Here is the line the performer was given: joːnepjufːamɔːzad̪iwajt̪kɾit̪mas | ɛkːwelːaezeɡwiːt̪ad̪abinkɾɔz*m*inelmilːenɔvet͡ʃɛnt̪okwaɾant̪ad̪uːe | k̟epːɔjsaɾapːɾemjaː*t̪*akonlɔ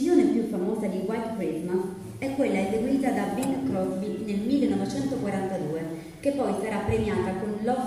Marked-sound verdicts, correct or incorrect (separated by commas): incorrect, correct